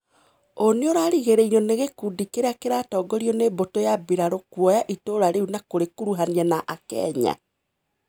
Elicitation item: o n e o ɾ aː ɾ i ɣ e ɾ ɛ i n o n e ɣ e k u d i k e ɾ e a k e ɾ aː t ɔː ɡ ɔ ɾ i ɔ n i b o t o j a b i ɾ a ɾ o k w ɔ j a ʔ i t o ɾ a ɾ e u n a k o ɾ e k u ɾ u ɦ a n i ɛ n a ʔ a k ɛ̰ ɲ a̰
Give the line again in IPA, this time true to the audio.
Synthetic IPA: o n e o ɾ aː ɾ i ɣ e ɾ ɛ i n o n e ɣ e k u d i k e ɾ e a k e ɾ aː t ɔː ɡ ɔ ɾ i ɔ n e b o t o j a b i ɾ a ɾ o k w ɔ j a ʔ i t o ɾ a ɾ e u n a k o ɾ e k u ɾ u ɦ a n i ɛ n a ʔ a k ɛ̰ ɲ a̰